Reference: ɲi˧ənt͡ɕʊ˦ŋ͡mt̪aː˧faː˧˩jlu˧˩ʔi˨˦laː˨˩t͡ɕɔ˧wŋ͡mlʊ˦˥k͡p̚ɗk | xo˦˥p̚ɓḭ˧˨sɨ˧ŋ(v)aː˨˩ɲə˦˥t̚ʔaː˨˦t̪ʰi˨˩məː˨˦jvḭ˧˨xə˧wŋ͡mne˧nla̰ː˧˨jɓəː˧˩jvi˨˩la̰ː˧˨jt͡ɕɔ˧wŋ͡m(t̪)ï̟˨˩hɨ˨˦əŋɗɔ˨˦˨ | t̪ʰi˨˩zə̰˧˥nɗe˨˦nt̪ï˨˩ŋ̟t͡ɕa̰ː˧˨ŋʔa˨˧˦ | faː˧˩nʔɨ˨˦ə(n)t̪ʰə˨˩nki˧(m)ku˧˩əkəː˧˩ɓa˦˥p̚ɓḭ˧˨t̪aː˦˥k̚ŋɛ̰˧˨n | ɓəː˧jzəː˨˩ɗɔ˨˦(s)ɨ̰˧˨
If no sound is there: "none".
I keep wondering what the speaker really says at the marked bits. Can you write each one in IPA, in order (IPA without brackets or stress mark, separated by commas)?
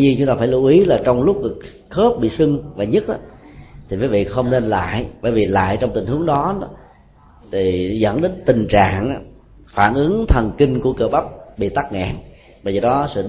v, t̪, ŋ, ŋ, s